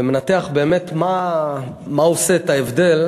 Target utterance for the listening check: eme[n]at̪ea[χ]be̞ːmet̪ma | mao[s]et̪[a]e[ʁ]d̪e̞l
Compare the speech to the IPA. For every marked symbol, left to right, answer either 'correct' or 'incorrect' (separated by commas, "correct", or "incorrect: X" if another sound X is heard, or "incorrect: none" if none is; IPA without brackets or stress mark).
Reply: correct, correct, correct, correct, incorrect: v